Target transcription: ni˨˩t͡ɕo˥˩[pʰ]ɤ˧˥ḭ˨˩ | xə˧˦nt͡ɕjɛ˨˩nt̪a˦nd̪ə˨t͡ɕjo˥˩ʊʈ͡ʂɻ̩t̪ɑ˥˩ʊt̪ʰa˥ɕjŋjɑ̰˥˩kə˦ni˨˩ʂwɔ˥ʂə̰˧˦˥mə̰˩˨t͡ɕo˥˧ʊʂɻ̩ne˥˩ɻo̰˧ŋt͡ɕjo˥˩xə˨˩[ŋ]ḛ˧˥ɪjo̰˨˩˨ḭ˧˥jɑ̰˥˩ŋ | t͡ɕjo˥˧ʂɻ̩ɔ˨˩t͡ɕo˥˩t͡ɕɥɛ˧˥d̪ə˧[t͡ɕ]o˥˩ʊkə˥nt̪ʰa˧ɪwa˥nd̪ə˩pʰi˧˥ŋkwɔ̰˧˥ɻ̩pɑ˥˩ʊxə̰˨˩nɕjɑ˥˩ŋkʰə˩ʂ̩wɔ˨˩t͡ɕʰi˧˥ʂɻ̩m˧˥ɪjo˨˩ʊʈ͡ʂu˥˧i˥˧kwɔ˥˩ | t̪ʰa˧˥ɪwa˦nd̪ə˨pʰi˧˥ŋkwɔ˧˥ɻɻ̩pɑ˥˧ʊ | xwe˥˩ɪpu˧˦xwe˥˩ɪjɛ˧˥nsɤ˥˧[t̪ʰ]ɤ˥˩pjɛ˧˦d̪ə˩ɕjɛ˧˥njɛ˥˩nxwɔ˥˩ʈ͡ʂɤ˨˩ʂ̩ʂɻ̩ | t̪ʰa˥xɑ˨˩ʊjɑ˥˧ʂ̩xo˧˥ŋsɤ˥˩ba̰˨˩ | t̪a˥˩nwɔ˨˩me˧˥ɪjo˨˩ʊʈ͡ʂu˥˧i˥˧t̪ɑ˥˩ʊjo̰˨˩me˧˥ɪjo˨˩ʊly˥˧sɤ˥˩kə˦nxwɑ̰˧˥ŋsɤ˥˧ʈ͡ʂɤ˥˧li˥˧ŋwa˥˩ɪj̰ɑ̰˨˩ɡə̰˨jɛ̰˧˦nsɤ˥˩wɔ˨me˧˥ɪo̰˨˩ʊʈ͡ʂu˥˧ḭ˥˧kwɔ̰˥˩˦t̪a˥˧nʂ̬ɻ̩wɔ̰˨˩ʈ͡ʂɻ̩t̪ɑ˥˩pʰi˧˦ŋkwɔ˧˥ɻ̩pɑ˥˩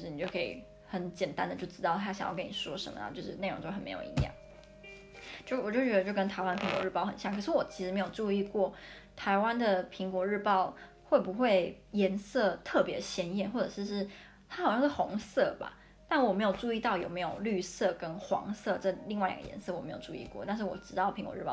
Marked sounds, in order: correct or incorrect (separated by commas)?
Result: incorrect, incorrect, correct, correct